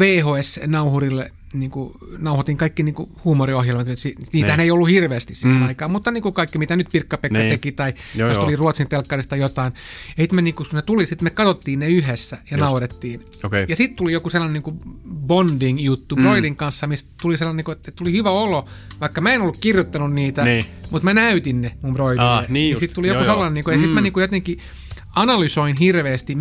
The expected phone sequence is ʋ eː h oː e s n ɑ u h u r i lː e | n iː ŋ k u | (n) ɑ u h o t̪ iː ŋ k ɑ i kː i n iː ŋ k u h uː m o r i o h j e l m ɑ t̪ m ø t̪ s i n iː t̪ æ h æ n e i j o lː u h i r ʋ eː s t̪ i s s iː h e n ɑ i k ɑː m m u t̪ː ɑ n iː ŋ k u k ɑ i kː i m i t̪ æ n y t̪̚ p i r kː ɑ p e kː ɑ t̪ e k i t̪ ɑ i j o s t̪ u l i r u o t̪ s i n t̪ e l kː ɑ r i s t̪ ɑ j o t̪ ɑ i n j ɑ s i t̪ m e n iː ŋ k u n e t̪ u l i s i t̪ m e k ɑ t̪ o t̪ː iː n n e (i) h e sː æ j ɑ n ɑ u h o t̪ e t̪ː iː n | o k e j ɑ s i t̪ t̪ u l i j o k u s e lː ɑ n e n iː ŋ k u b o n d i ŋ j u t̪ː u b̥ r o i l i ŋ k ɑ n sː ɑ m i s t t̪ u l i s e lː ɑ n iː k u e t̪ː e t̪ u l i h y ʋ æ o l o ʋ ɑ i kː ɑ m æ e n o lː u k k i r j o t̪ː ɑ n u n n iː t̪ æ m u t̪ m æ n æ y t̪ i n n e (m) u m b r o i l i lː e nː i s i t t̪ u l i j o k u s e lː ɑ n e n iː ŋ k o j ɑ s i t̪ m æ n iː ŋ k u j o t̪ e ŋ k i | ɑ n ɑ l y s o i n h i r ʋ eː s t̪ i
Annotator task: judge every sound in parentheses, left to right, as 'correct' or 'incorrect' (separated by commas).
correct, incorrect, correct